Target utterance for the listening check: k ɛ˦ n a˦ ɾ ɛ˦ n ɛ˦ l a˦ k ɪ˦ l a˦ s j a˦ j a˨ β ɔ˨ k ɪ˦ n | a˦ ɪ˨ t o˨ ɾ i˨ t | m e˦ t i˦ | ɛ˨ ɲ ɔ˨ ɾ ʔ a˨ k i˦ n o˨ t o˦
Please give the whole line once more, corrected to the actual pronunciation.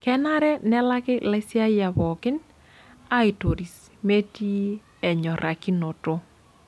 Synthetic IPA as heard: k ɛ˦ n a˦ ɾ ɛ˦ n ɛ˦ l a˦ k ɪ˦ l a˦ s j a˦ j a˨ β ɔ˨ k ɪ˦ n | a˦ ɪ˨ t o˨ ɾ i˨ s | m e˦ t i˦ | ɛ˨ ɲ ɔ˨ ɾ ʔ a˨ k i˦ n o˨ t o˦